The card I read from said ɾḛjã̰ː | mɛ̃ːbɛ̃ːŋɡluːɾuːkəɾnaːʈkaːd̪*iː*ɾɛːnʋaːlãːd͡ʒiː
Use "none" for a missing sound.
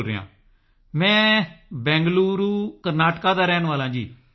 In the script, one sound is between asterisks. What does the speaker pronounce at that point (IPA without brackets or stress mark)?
aː